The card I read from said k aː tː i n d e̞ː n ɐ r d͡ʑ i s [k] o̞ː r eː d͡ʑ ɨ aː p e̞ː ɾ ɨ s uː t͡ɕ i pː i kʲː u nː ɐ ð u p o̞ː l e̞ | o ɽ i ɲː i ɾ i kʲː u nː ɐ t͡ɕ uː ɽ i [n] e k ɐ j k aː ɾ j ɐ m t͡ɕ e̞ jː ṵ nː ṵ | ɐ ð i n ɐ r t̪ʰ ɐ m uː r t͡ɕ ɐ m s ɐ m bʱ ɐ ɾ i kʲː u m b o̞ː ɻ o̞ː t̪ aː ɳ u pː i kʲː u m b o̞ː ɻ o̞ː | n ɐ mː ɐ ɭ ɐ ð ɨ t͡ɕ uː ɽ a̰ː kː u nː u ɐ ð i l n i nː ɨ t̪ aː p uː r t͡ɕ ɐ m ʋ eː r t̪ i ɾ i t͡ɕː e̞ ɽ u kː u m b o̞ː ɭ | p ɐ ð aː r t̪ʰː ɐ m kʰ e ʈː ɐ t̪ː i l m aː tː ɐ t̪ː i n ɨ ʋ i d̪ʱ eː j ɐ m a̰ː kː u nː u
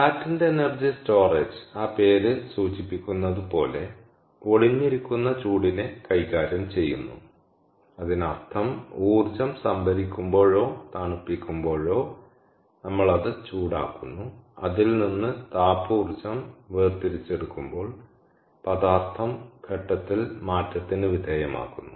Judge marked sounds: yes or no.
no, yes

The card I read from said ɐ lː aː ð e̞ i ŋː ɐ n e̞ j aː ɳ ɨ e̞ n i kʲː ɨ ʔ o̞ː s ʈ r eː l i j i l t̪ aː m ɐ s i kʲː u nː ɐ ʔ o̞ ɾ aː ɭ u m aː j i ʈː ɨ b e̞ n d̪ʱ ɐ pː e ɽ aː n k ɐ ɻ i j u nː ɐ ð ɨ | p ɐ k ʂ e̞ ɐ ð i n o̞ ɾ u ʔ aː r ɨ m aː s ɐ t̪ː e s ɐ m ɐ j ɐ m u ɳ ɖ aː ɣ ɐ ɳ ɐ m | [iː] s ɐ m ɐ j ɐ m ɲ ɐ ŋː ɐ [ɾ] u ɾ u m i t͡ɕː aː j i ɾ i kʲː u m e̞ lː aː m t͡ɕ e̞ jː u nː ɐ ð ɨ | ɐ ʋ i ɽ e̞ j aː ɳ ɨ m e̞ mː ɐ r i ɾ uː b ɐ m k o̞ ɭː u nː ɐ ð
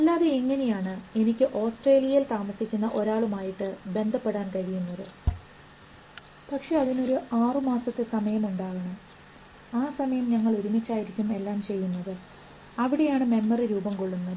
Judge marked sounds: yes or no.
no, no

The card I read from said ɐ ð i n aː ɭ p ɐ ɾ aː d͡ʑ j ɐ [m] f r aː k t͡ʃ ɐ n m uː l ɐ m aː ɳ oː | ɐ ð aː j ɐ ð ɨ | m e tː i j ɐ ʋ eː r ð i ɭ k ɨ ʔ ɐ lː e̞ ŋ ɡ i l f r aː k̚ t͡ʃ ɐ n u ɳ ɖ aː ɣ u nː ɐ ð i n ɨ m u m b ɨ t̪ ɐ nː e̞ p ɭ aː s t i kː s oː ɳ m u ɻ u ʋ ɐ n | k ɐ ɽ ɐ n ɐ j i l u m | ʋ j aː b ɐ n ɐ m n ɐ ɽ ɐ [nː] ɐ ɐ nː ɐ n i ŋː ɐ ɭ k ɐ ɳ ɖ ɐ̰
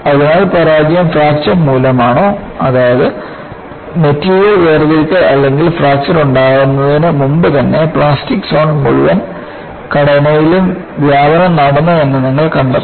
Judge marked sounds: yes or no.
yes, yes

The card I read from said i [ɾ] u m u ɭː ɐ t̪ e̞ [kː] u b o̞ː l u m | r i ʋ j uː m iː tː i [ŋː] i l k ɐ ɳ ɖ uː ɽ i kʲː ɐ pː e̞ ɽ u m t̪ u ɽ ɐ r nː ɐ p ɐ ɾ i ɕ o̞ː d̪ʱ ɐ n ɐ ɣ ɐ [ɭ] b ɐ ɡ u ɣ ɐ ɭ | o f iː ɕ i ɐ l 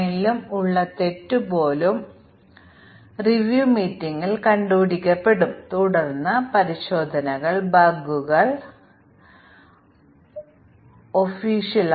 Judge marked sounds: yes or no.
no, no, yes, yes

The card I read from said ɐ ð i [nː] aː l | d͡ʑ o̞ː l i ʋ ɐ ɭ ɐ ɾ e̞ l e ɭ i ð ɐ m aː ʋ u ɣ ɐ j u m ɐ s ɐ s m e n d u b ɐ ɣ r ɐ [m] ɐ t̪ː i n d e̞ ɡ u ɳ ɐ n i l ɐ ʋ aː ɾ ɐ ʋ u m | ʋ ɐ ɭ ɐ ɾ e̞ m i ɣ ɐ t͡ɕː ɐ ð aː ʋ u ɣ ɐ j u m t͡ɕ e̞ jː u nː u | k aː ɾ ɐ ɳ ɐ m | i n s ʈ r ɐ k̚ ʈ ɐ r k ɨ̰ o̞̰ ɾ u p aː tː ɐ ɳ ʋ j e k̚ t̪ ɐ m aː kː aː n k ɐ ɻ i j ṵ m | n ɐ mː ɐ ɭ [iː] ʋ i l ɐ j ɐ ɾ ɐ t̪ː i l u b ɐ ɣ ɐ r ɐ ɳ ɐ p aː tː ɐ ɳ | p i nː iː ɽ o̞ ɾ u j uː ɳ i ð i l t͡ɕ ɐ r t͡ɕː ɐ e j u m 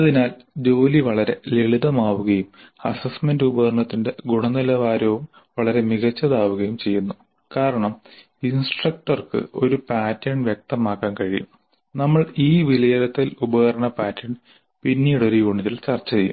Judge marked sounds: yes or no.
no, no, yes

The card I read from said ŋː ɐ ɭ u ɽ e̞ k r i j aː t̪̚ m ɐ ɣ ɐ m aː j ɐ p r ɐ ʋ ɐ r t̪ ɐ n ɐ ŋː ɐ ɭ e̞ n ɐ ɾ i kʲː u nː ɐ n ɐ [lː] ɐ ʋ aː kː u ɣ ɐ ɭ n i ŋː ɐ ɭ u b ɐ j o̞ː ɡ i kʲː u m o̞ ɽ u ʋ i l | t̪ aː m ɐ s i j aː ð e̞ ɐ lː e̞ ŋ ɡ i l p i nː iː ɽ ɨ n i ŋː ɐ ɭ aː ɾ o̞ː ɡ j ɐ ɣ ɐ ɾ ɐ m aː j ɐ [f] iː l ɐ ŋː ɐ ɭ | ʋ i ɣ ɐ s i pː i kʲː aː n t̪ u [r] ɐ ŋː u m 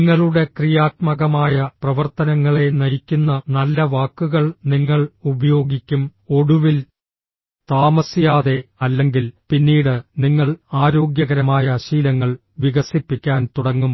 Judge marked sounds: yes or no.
yes, no, no

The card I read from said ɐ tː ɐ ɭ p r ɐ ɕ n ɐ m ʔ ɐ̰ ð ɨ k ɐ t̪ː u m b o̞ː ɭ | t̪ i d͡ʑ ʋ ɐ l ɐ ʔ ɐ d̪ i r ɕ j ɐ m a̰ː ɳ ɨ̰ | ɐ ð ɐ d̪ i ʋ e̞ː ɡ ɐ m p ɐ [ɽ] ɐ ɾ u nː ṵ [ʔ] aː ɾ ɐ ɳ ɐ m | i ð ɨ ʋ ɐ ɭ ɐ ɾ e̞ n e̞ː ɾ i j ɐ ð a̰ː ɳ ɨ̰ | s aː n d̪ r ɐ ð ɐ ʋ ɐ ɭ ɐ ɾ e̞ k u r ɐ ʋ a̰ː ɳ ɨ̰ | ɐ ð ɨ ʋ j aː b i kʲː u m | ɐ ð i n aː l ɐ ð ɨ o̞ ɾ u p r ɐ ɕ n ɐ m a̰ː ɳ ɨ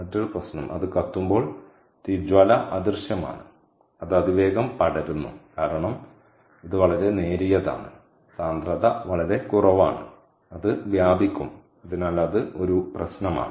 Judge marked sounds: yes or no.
yes, no

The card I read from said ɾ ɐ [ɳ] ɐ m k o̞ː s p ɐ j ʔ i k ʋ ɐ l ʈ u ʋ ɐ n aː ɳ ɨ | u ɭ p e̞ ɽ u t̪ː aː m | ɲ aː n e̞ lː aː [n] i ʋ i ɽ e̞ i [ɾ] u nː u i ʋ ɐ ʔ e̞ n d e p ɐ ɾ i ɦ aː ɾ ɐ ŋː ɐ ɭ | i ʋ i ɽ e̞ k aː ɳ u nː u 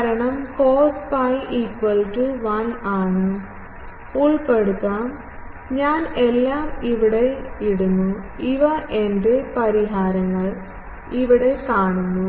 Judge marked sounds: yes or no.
yes, no, no

